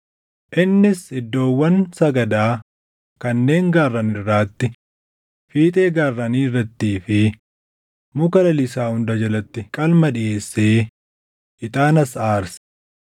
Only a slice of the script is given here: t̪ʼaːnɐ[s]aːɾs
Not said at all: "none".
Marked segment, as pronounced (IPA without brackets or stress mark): s